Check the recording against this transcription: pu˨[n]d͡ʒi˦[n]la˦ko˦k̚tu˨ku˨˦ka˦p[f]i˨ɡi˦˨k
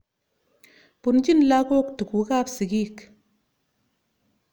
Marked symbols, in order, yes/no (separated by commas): yes, yes, no